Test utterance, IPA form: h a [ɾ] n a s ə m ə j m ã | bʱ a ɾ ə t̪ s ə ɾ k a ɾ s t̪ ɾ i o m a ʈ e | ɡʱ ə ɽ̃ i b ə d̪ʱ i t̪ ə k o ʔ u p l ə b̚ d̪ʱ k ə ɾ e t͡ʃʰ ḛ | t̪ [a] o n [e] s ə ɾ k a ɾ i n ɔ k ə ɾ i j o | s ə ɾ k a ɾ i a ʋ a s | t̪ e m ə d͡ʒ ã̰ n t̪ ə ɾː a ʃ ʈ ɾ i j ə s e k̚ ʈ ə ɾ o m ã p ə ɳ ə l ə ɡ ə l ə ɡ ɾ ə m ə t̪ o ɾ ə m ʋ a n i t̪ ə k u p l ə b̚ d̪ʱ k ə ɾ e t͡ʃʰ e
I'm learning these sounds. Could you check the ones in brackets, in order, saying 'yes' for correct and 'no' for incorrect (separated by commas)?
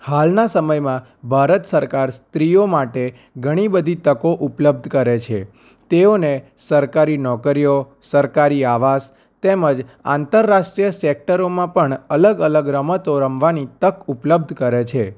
no, no, yes